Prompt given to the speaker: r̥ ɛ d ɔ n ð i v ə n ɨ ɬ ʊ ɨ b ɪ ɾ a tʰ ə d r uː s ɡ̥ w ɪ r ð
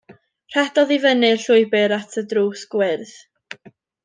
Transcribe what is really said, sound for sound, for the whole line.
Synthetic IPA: r̥ ɛ d ɔ ð i v ə n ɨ ɬ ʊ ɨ b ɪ ɾ a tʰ ə d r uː s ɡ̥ w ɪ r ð